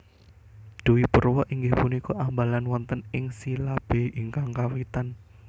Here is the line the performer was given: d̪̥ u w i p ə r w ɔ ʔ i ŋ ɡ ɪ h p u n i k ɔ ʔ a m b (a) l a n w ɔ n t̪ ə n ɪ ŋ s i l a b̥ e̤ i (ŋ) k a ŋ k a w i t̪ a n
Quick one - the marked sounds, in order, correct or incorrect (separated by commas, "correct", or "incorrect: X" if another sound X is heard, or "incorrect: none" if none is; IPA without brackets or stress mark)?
correct, correct